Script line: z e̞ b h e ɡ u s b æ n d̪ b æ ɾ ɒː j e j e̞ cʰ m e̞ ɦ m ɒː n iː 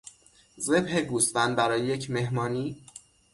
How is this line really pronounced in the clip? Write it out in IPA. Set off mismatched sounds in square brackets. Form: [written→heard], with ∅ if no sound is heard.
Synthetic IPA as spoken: z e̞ b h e ɡ u s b æ n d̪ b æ ɾ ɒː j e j e̞ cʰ m e̞ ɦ m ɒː n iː